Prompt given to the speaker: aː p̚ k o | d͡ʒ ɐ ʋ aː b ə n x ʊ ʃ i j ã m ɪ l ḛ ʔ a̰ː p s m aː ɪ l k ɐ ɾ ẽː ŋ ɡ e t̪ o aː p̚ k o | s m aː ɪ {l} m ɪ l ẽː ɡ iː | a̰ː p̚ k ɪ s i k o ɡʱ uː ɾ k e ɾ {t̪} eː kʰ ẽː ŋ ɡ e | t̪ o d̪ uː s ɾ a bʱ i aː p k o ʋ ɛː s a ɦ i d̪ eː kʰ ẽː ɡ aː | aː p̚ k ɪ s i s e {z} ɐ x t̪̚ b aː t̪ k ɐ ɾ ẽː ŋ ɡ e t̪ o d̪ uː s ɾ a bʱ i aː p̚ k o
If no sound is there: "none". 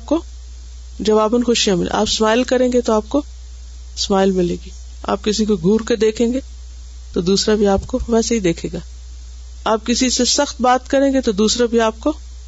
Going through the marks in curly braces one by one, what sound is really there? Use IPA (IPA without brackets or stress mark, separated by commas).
l, d̪, s